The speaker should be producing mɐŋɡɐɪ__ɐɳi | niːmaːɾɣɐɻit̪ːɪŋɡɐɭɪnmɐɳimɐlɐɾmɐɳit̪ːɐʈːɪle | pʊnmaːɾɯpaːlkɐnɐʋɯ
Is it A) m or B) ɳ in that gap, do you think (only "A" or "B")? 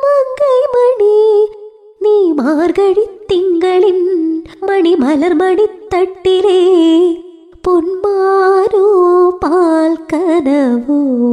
A